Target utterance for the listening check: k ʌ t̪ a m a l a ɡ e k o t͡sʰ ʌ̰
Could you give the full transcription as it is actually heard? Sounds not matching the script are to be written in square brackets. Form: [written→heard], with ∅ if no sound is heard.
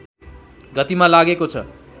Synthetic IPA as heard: [k→ɡ] ʌ t̪ [a→i] m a l a ɡ e k o t͡sʰ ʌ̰